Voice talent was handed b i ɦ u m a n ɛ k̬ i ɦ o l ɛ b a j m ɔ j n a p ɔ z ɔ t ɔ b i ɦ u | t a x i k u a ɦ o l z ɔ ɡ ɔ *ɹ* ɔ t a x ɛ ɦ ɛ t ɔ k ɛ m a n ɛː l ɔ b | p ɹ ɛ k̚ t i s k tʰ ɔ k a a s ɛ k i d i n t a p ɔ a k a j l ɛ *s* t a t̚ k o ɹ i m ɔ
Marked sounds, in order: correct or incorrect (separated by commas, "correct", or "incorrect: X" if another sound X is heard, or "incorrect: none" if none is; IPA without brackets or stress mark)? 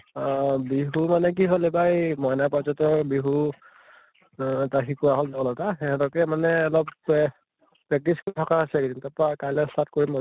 incorrect: l, correct